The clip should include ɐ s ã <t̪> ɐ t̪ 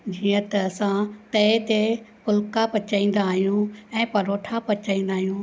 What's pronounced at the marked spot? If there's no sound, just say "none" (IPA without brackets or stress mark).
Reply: t̪